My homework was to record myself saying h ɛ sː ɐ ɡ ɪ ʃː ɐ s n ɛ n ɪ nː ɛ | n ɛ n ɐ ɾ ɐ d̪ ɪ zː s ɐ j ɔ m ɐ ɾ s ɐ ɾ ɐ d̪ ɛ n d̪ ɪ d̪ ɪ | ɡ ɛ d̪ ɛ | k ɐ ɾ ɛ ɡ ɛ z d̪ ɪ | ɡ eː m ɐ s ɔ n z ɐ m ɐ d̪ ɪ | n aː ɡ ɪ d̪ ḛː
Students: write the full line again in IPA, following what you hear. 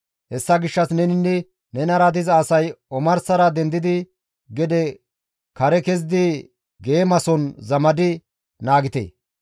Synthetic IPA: h ɛ sː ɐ ɡ ɪ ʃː ɐ s n ɛ n ɪ nː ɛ | n ɛ n ɐ ɾ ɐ d̪ ɪ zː s ɐ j ɔ m ɐ ɾ s ɐ ɾ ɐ d̪ ɛ n d̪ ɪ d̪ ɪ | ɡ ɛ d̪ ɛ | k ɐ ɾ ɛ k ɛ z d̪ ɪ | ɡ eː m ɐ s ɔ n z ɐ m ɐ d̪ ɪ | n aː ɡ ɪ t̪ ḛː

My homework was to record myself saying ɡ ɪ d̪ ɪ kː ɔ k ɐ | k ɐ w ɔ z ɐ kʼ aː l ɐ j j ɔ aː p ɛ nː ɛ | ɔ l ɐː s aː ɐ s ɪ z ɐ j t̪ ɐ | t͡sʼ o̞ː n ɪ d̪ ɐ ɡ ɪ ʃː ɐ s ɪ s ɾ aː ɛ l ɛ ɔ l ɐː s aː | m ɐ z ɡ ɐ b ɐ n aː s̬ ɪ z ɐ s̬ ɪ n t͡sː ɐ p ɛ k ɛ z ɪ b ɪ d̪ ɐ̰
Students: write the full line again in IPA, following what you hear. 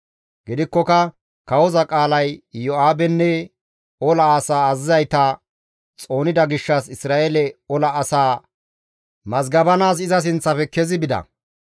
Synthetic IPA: ɡ ɪ d̪ ɪ kː ɔ k ɐ | k ɐ w ɔ z ɐ kʼ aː l ɐ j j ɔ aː b ɛ nː ɛ | ɔ l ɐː s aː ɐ z ɪ z ɐ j t̪ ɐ | t͡sʼ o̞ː n ɪ d̪ ɐ ɡ ɪ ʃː ɐ s ɪ s ɾ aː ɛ l ɛ ɔ l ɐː s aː | m ɐ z ɡ ɐ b ɐ n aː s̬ ɪ z ɐ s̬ ɪ n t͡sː ɐ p ɛ k ɛ z ɪ b ɪ d̪ ɐ̰

